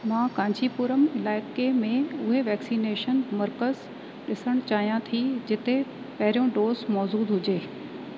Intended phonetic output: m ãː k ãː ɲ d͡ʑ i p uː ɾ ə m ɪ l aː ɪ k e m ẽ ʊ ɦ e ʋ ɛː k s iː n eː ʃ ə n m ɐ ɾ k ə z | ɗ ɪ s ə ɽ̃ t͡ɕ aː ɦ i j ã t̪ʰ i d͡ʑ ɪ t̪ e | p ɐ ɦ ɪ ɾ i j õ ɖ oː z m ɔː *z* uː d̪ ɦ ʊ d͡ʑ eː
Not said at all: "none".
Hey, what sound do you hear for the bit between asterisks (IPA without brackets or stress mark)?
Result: z